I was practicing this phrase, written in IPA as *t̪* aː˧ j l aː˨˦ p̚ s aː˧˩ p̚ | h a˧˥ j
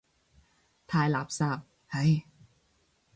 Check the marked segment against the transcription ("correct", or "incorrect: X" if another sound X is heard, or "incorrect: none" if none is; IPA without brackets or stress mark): incorrect: t̪ʰ